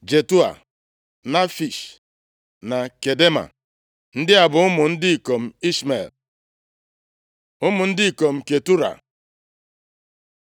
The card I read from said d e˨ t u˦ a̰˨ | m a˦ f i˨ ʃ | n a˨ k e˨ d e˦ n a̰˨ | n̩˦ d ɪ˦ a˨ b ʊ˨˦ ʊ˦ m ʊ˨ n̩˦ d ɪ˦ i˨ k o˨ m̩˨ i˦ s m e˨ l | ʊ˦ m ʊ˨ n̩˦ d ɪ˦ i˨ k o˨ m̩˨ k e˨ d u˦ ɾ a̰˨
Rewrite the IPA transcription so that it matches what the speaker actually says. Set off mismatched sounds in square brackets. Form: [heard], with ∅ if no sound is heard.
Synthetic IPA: [d͡ʒ] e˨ t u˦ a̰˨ | [n] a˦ f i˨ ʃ | n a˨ k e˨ d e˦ [m] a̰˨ | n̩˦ d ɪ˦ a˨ b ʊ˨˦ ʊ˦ m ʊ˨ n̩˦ d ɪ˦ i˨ k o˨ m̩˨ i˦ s m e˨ l | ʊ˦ m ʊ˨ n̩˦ d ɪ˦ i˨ k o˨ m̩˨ k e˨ [t] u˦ ɾ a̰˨